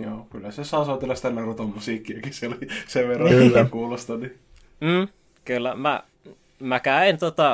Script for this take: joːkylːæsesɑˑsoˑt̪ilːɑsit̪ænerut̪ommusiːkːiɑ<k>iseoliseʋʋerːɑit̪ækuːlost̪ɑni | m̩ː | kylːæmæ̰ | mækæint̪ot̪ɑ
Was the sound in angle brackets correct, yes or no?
yes